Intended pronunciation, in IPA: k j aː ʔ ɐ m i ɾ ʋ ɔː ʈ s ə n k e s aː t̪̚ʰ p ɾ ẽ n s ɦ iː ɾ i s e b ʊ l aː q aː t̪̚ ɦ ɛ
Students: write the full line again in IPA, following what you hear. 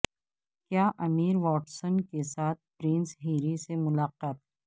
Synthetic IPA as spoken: k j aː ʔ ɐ m iː ɾ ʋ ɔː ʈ s ə n k e s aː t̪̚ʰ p ɾ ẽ n s ɦ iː ɾ i s e m ʊ l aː q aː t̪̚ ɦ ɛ